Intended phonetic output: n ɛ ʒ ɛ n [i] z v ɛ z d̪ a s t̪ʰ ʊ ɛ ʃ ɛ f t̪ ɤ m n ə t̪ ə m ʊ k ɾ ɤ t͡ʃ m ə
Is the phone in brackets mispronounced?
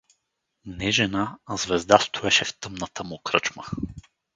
yes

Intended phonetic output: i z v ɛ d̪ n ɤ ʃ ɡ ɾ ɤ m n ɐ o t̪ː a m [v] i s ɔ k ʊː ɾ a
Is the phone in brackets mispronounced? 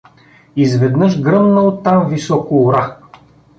no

